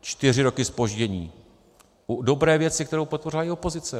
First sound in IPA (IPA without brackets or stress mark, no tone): t͡ʃ